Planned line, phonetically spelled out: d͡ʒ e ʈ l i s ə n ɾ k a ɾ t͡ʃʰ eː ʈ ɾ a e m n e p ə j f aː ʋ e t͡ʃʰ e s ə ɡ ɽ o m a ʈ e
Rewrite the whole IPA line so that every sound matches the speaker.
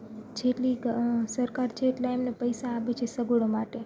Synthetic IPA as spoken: d͡ʒ e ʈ l i s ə ɾ k a ɾ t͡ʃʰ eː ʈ l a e m n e p ə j s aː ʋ e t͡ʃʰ e s ə ɡ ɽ o m a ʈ e